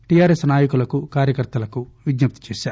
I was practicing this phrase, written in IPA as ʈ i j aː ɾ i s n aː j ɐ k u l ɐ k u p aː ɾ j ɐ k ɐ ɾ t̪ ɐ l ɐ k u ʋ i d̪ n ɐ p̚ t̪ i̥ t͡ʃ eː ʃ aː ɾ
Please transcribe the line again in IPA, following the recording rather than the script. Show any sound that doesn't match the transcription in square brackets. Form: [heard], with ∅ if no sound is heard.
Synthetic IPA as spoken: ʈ i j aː ɾ [e] s n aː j ɐ k u l ɐ k u [k] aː ɾ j ɐ k ɐ ɾ t̪ ɐ l ɐ k u ʋ i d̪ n ɐ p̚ t̪ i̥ t͡ʃ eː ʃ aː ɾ